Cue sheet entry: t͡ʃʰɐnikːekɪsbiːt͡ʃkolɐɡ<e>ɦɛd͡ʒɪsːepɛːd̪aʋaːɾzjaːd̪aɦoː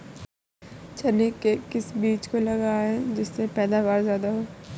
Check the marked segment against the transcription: incorrect: a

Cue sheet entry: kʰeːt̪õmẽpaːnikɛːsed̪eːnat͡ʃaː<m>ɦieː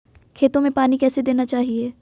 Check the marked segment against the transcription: incorrect: none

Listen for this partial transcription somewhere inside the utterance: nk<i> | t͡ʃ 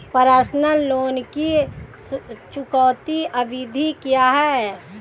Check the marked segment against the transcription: correct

